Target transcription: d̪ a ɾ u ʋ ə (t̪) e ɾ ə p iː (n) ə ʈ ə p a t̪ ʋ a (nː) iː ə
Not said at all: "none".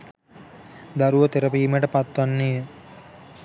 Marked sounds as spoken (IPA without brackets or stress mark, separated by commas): t̪, m, nː